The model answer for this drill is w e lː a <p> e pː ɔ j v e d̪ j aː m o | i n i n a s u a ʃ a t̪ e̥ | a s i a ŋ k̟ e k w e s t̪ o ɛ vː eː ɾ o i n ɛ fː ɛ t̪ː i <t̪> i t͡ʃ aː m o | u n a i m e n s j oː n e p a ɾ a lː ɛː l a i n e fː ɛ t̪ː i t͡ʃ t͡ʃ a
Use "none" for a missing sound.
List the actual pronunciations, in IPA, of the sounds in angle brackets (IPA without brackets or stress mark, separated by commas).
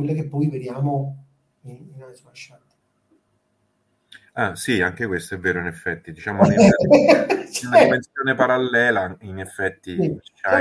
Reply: k, d̪